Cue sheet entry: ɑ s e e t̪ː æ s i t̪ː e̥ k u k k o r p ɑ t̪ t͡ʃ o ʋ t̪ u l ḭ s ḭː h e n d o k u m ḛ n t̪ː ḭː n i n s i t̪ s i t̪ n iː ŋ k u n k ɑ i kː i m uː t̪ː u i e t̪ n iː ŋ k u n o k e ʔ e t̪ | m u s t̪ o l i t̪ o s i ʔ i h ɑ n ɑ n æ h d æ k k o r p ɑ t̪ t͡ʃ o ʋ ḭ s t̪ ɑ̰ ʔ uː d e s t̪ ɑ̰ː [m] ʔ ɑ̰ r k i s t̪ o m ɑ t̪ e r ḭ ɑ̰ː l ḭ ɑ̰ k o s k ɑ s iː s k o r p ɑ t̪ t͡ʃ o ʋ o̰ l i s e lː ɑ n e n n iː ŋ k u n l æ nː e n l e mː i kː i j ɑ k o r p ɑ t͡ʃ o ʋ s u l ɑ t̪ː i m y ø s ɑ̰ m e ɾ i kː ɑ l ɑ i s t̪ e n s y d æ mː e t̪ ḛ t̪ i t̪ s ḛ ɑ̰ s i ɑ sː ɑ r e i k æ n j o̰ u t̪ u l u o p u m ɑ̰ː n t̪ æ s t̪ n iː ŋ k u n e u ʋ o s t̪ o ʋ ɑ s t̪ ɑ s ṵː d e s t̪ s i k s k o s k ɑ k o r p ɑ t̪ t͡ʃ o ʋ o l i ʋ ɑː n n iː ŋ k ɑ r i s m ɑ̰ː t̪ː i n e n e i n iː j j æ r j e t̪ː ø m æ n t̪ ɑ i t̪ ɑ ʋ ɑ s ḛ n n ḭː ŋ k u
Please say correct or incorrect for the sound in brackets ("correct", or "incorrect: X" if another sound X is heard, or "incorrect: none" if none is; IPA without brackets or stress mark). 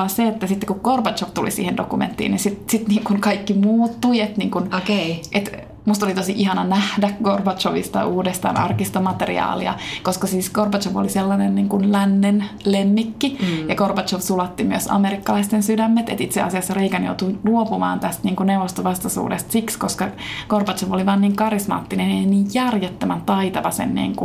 incorrect: n